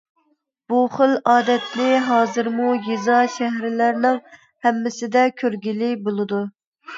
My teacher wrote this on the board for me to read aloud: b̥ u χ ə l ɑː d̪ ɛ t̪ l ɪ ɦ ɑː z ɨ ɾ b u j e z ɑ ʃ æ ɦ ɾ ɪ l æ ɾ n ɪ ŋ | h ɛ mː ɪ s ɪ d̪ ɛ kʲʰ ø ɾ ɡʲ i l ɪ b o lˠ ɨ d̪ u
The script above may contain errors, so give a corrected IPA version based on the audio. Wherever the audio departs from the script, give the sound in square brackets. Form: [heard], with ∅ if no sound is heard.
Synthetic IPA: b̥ u χ ə l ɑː d̪ ɛ t̪ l ɪ ɦ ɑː z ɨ ɾ [m] u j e z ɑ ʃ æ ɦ ɾ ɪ l æ ɾ n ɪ ŋ | h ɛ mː ɪ s ɪ d̪ ɛ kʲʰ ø ɾ ɡʲ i l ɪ b o lˠ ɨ d̪ u